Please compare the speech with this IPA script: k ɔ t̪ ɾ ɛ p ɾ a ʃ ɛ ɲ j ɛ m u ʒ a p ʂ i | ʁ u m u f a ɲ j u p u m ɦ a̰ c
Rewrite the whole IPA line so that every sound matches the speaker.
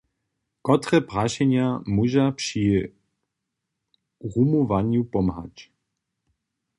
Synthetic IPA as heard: k ɔ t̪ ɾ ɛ p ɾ a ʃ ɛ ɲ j a m u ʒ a p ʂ i | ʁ u m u v a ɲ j u p ɔ m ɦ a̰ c